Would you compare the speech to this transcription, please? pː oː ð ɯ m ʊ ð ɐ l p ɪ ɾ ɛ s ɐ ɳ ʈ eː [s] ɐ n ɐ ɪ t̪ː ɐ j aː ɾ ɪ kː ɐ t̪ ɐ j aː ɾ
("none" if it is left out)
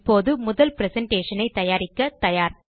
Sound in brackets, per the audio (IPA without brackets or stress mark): ʂ